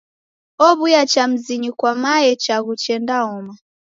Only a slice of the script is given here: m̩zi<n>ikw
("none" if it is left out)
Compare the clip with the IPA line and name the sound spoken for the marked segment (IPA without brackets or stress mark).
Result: ɲ